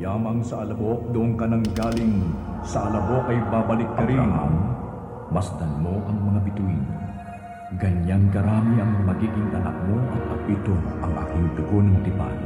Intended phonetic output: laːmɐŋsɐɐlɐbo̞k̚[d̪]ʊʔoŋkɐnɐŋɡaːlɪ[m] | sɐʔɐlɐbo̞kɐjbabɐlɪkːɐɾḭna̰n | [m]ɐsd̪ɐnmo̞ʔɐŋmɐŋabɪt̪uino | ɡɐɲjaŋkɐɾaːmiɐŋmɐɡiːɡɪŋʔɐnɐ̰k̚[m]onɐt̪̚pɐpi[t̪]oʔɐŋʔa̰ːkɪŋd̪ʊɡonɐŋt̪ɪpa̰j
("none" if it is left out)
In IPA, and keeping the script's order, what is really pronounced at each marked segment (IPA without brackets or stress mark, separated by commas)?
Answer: d̪, ŋ, m, m, t̪